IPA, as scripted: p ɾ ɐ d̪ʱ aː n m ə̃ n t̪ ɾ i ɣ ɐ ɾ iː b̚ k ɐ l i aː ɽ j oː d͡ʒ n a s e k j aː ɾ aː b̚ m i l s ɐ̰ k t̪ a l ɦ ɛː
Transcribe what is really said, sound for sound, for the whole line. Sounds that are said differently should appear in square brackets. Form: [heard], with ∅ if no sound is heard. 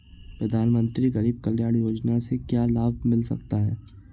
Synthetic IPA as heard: p ɾ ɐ d̪ʱ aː n m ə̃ n t̪ ɾ i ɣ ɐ ɾ iː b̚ k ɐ l [j] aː ɽ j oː d͡ʒ n a s e k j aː [l] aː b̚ m [ɪ] l s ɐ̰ k t̪ a [∅] ɦ ɛː